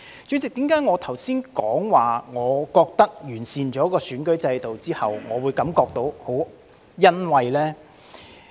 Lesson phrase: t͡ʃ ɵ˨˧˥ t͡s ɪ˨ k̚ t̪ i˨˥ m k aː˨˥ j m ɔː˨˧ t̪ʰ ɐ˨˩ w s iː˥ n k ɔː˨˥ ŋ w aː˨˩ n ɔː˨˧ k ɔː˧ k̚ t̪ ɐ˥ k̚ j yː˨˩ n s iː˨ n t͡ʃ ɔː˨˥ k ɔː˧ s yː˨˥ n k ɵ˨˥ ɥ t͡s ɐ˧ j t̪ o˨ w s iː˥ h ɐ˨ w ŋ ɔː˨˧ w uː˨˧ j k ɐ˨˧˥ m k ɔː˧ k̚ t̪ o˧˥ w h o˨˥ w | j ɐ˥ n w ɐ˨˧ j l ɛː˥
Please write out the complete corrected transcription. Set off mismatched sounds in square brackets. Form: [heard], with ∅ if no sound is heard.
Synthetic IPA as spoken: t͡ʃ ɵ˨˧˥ t͡s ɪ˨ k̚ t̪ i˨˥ m k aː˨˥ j [ŋ] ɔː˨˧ t̪ʰ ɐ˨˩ w s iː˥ n k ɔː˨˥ ŋ w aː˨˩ [ŋ] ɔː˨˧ k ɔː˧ k̚ t̪ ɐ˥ k̚ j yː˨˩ n s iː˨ n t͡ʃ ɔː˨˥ k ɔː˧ s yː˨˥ n k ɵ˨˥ ɥ t͡s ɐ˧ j t̪ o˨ w [t͡s] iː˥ h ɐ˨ w ŋ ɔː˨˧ w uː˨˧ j k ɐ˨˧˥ m k ɔː˧ k̚ t̪ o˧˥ w h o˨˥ w | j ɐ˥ n w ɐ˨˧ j l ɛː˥